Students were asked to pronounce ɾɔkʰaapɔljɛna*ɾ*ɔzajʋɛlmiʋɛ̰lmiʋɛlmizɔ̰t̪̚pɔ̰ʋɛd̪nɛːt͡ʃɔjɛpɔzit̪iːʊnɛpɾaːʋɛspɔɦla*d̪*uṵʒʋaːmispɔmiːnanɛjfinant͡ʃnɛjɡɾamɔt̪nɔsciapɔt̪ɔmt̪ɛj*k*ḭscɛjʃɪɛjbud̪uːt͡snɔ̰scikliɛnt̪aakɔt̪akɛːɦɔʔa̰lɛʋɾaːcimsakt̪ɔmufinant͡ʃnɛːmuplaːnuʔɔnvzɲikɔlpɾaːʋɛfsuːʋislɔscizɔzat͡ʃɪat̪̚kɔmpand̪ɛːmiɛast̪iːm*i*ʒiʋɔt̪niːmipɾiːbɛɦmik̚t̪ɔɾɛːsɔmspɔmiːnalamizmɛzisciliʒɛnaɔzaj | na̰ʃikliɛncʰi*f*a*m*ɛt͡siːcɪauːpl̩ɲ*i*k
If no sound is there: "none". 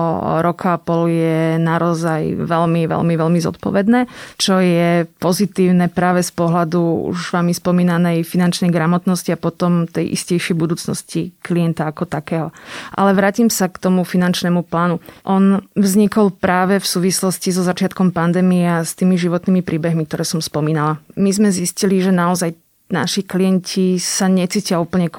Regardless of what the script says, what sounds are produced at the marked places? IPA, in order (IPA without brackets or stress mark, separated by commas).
ɾ, d̪, ʔ, i, s, ɲ, ɛ